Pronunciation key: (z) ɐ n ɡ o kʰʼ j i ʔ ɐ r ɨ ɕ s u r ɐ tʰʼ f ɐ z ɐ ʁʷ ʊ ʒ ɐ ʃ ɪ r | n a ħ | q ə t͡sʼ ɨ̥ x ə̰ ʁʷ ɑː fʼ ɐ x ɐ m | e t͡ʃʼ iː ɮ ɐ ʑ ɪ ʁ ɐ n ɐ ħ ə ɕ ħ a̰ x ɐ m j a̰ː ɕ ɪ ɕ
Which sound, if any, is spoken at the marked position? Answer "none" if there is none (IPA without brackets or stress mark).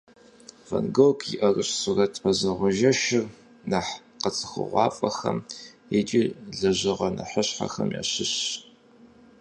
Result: v